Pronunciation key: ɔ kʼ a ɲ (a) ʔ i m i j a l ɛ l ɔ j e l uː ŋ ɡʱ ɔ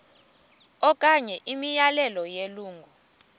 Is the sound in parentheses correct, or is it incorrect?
incorrect